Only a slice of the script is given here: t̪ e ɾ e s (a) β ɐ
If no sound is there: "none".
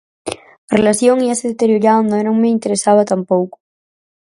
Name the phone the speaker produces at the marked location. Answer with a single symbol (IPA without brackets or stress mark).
a